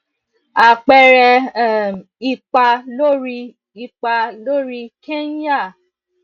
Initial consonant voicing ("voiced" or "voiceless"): voiceless